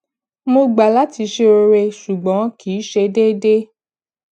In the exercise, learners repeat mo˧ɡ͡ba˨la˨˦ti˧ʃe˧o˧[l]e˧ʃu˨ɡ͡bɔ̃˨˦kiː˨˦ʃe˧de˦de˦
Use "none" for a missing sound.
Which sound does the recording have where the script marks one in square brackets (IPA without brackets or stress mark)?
ɾ